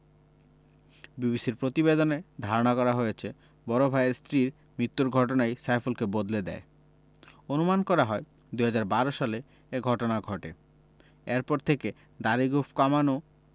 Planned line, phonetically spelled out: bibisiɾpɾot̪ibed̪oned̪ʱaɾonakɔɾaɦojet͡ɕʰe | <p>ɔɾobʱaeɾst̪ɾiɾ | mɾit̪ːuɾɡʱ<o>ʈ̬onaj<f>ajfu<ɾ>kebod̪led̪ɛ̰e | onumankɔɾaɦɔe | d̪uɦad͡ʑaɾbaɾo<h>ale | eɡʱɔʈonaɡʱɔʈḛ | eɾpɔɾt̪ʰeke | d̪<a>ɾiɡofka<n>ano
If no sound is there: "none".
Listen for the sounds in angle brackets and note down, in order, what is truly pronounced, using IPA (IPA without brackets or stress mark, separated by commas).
b, ɔ, s, l, ʃ, a, m